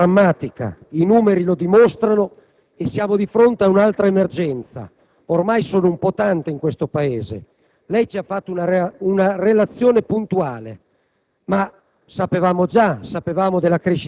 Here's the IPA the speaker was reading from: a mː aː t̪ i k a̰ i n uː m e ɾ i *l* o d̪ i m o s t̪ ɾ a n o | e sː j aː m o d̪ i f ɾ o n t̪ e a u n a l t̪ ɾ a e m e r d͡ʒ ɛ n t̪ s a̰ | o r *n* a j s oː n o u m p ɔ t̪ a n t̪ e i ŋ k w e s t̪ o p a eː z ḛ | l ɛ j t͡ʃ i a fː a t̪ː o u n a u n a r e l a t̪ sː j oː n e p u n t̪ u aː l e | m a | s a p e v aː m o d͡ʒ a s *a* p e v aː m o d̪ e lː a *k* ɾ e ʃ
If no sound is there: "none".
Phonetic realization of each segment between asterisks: l, m, a, k

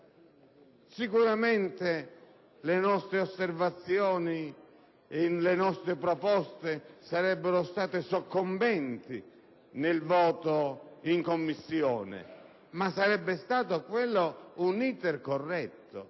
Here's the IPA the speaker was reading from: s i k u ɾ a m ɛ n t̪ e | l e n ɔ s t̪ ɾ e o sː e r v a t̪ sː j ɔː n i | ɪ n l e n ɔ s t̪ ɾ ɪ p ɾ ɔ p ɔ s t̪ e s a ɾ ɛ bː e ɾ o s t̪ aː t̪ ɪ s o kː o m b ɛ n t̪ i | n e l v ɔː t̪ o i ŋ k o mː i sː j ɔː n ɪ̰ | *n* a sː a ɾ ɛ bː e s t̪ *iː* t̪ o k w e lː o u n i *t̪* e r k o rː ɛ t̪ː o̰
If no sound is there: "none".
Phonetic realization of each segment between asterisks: m, aː, t̪

